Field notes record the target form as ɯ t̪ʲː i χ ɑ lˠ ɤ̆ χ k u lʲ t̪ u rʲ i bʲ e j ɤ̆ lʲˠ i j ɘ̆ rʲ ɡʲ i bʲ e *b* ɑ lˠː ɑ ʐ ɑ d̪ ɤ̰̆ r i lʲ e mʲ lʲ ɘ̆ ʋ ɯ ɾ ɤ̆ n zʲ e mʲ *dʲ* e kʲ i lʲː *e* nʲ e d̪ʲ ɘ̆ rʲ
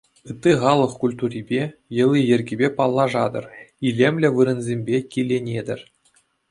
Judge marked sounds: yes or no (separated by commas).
no, no, yes